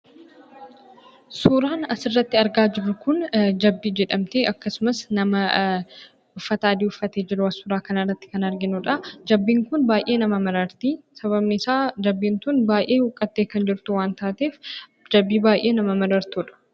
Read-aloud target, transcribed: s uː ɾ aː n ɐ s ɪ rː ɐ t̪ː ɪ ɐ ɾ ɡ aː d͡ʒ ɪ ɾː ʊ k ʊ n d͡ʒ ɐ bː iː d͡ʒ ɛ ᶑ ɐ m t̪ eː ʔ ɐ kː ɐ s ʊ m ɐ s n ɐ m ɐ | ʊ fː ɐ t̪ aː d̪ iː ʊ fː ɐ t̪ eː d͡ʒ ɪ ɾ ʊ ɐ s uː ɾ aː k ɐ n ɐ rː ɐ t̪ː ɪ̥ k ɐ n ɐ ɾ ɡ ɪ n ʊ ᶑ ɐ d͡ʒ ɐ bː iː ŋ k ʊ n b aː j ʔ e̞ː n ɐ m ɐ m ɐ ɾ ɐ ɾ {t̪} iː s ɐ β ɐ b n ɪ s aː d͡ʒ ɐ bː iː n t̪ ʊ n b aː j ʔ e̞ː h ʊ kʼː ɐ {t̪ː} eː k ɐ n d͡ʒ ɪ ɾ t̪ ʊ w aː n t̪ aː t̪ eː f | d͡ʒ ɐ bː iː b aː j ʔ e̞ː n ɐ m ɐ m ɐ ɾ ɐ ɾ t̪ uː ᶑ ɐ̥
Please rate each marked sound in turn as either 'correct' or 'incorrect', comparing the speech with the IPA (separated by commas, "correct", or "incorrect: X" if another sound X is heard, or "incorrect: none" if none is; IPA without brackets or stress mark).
correct, correct